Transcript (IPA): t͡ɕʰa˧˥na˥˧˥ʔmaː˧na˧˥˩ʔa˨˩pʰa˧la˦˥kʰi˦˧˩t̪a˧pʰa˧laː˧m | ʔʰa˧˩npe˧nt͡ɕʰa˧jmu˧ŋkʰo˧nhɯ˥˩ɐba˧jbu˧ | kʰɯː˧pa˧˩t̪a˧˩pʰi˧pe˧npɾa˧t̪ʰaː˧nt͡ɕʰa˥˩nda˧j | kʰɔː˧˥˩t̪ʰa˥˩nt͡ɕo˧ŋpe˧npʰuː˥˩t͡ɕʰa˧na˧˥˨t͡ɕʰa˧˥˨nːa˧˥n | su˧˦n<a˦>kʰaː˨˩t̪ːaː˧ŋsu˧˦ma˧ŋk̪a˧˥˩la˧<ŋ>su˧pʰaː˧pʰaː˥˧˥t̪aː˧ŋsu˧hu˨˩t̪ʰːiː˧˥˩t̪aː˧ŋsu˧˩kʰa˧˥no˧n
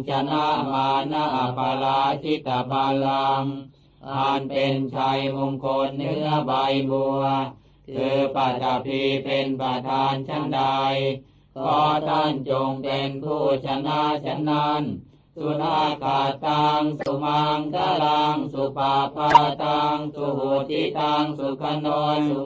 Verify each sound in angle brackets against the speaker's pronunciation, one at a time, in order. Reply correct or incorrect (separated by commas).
incorrect, correct